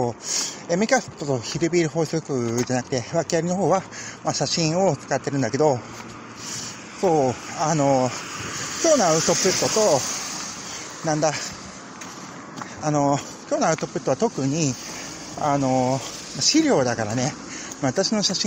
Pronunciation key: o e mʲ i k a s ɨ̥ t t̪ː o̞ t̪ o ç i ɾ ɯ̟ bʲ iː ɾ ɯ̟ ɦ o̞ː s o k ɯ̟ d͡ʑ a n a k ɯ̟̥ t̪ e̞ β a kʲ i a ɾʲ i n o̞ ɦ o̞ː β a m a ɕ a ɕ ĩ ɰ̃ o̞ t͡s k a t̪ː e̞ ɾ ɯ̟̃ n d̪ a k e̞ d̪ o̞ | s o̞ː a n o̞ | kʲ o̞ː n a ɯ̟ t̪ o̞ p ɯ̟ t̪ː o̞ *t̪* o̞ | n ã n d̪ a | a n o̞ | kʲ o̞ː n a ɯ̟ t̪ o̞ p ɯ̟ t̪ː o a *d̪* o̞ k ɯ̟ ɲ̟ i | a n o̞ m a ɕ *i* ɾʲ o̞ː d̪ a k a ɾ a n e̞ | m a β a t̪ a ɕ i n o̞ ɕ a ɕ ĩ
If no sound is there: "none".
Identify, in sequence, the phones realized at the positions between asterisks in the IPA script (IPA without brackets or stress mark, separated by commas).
t̪, t̪, i